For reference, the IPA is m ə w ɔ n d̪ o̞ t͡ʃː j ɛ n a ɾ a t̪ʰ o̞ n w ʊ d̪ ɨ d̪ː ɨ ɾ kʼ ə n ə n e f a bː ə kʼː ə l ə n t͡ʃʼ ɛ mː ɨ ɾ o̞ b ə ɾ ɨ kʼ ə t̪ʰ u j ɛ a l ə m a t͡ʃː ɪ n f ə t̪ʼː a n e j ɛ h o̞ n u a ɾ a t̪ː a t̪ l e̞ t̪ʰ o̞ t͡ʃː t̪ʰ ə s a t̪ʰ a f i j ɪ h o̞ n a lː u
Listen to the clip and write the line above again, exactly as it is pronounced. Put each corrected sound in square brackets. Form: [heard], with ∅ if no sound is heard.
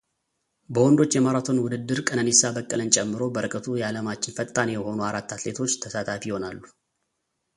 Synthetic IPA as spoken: [b] ə w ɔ n d̪ o̞ t͡ʃː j ɛ [m] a ɾ a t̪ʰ o̞ n w ʊ d̪ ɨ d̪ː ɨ ɾ kʼ ə n ə n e [s] a [b] ə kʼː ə l ə n t͡ʃʼ ɛ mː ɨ ɾ o̞ b ə ɾ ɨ kʼ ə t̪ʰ u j ɛ a l ə m a t͡ʃː ɪ n f ə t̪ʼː a n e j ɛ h o̞ n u a ɾ a t̪ː a t̪ l e̞ t̪ʰ o̞ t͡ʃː t̪ʰ ə s a t̪ʰ a f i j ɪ h o̞ n a lː u